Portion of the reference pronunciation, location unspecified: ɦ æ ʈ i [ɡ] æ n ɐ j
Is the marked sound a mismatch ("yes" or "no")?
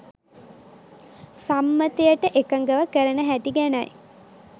no